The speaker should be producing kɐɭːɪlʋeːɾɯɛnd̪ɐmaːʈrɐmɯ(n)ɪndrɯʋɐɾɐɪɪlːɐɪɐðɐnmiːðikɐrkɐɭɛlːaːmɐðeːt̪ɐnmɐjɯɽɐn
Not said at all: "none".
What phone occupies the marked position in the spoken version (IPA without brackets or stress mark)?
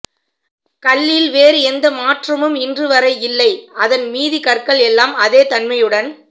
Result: m